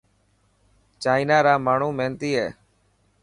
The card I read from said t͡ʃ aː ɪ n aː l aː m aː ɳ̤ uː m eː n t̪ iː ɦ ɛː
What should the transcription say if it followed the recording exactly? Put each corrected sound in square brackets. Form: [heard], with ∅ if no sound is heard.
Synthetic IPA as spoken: t͡ʃ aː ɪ n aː [ɾ] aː m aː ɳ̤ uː m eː n t̪ iː ɦ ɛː